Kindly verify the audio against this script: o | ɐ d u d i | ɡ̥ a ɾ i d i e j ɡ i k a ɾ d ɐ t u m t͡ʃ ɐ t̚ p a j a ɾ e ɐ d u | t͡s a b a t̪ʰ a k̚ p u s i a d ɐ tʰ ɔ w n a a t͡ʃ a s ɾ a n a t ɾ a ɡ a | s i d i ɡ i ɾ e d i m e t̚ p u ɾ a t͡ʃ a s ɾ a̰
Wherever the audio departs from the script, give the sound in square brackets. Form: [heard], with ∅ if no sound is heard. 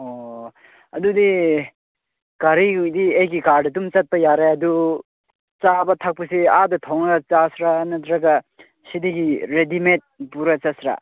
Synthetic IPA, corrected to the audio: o | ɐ d u d i | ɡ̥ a ɾ i d i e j ɡ i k a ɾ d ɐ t u m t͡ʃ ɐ t̚ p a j a ɾ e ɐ d u | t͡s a b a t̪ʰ a k̚ p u s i a d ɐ tʰ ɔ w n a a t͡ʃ a s ɾ a n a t ɾ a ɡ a | s i d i ɡ i ɾ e d i m e t̚ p u ɾ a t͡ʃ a s ɾ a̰